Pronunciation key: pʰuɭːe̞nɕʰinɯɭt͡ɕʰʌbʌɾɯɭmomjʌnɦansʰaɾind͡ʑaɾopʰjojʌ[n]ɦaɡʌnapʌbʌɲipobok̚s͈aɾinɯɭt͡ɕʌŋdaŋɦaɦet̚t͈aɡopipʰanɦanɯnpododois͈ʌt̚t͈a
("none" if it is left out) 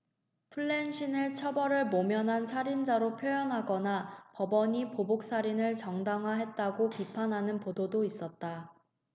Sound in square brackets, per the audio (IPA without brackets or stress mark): n